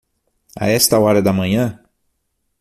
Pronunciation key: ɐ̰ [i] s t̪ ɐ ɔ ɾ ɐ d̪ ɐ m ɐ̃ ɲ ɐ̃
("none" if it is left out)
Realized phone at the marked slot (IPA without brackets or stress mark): ɛ